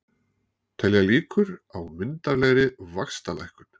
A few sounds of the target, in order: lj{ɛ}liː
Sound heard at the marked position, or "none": a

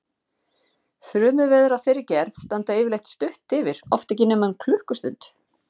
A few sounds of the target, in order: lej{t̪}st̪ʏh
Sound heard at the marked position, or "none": t̪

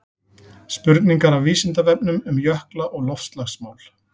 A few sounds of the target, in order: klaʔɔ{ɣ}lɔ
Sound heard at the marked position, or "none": ɣ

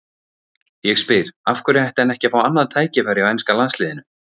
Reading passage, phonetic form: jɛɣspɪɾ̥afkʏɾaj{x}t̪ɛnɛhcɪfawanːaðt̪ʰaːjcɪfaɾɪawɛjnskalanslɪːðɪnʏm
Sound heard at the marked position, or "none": h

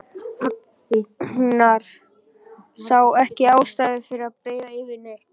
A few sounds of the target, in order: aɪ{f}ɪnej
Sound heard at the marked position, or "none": v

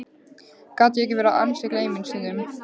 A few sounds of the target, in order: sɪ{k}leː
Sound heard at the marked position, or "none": k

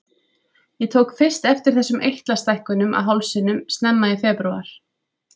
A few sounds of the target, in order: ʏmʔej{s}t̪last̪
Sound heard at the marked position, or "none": h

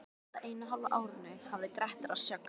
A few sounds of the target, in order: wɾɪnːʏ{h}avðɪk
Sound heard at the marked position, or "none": h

